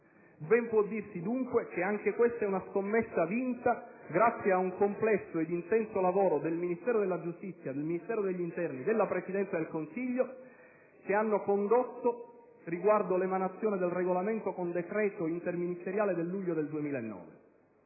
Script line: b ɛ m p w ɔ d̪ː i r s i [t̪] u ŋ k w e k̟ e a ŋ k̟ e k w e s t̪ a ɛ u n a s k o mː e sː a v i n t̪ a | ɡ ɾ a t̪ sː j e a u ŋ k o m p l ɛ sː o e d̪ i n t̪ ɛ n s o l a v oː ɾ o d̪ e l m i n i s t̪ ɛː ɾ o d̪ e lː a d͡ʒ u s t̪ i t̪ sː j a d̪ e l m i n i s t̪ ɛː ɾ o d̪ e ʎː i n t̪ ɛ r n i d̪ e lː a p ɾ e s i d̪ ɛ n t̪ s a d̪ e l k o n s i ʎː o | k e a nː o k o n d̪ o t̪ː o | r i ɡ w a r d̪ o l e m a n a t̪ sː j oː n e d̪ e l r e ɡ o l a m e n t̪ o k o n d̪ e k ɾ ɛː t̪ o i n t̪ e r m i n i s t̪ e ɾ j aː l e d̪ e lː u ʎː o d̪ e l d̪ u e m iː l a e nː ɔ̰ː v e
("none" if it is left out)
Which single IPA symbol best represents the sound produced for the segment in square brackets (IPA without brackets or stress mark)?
d̪